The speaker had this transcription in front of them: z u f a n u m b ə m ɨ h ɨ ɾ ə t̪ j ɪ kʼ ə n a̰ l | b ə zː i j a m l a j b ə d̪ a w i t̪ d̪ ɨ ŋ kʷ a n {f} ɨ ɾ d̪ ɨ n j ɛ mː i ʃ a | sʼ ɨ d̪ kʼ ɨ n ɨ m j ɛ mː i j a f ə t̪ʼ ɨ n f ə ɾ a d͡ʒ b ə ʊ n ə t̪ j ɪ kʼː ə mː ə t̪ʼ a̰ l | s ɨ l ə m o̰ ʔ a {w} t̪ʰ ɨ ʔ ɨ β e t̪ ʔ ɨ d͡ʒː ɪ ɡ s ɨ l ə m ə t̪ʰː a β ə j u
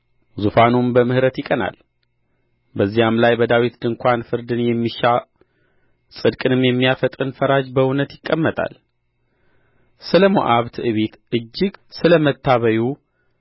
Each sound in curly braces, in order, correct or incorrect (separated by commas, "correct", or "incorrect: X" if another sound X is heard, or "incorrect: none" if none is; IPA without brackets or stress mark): correct, incorrect: β